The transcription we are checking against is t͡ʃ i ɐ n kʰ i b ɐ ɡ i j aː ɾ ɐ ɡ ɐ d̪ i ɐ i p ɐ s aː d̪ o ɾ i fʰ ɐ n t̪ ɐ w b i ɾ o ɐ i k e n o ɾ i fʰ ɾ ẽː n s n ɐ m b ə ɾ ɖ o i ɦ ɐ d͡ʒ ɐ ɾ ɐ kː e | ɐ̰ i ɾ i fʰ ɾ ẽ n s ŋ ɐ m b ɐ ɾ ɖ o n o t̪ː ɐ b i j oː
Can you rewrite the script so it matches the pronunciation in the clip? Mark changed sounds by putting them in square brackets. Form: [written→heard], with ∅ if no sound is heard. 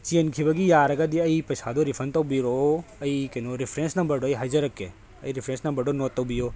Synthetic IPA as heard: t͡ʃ i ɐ n kʰ i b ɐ ɡ i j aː ɾ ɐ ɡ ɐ d̪ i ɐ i p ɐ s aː d̪ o ɾ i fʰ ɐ n t̪ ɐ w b i ɾ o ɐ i k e n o ɾ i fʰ ɾ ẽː n s n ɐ m b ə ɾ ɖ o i ɦ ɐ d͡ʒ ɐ ɾ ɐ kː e | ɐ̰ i ɾ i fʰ ɾ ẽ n s [ŋ→n] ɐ m b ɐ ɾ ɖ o n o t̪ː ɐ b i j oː